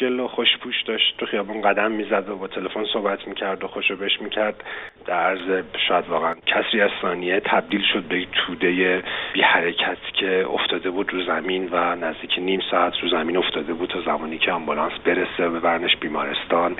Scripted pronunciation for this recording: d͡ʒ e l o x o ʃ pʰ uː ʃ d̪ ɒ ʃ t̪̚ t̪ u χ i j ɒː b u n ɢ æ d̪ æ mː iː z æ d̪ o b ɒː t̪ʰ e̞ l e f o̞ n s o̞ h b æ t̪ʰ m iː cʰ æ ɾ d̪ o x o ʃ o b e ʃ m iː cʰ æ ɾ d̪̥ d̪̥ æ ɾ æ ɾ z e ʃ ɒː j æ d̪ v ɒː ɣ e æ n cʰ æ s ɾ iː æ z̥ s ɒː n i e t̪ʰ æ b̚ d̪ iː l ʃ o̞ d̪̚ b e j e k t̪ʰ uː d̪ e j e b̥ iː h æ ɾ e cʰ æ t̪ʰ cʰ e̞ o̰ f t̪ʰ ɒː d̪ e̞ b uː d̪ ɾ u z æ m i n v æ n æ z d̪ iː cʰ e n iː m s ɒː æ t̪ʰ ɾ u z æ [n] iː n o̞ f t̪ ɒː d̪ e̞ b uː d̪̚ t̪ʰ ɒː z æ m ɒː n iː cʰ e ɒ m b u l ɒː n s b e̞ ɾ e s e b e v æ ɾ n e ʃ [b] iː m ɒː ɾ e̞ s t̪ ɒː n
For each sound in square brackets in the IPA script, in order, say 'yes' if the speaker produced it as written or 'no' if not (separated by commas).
no, yes